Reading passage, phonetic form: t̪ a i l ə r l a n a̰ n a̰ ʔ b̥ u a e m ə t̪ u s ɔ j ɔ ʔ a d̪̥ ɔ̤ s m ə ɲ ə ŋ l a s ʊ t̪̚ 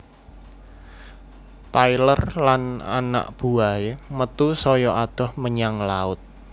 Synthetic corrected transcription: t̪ a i l ə r l a n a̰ n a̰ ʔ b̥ u a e m ə t̪ u s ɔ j ɔ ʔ a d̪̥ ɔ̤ h m ə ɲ a ŋ l a ʊ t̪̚

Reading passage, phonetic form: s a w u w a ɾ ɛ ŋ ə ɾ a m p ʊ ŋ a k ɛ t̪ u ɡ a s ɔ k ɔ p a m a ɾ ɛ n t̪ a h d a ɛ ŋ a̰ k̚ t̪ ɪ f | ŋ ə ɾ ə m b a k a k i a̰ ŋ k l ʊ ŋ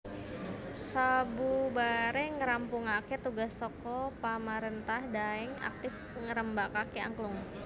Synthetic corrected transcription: s a b u b a ɾ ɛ ŋ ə ɾ a m p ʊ ŋ a k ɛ t̪ u ɡ a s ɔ k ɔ p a m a ɾ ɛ n t̪ a h d a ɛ ŋ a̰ k̚ t̪ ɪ f | ŋ ə ɾ ə m b a k a k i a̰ ŋ k l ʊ ŋ

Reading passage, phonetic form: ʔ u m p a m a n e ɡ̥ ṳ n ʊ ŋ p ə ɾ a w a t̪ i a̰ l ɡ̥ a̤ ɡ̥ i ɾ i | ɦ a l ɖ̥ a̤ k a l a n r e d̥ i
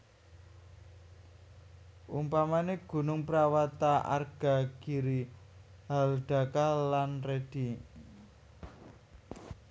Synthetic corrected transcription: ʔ u m p a m a n e ɡ̥ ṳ n ʊ ŋ p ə ɾ a w a t̪ a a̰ r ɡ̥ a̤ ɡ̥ i ɾ i | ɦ a l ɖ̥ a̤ k a l a n r e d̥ i

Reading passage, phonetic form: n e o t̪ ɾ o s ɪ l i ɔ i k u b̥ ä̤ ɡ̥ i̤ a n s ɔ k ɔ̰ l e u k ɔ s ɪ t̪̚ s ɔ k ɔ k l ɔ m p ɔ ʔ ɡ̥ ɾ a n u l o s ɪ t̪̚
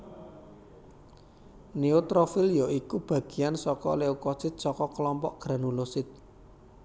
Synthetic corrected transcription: n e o t̪ ɾ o f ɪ l j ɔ i k u b̥ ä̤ ɡ̥ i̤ a n s ɔ k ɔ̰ l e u k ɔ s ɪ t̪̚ s ɔ k ɔ k l ɔ m p ɔ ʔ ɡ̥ ɾ a n u l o s ɪ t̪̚

